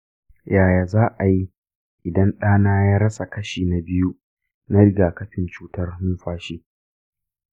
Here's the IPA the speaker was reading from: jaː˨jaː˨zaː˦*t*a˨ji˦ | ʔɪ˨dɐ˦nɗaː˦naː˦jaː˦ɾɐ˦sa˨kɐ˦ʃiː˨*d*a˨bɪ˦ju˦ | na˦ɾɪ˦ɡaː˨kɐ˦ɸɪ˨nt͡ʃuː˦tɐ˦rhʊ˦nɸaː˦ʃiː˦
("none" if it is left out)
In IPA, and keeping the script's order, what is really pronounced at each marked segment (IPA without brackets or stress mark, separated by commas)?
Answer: ʔ, n